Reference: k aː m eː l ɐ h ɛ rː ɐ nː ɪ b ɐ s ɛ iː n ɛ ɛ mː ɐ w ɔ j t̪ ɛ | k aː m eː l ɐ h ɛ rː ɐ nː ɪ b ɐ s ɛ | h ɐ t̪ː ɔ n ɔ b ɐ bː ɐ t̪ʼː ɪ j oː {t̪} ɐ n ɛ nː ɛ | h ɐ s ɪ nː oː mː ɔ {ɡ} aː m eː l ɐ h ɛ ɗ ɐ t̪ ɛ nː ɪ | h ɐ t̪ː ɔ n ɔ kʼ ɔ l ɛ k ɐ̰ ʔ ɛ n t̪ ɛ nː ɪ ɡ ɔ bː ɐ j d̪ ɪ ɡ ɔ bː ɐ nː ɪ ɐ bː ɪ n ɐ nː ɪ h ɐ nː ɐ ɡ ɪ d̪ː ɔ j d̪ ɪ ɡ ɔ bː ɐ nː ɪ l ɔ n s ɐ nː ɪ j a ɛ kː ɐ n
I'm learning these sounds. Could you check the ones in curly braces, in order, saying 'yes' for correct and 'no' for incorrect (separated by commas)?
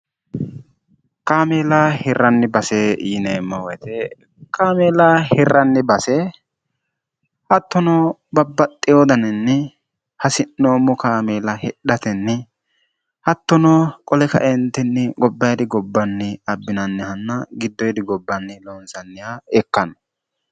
no, no